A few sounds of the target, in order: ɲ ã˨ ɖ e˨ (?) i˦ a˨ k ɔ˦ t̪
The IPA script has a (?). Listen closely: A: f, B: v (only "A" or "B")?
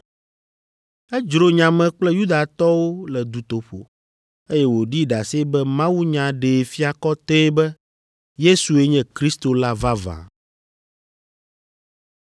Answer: A